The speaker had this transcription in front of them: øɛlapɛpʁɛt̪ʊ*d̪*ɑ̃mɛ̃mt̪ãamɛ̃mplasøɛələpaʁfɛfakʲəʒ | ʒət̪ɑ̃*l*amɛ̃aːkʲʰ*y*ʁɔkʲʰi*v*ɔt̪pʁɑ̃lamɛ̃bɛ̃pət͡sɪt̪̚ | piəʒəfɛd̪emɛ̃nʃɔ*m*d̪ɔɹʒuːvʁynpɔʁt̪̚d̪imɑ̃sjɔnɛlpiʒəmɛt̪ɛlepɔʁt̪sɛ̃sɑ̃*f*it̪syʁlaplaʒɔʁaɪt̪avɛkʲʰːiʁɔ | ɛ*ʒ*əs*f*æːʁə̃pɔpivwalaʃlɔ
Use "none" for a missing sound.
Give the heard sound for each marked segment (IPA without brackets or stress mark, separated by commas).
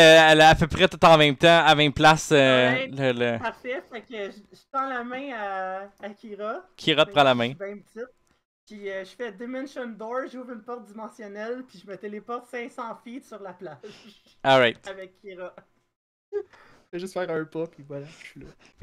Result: t̪, l, i, ʁ, n, f, ʒ, f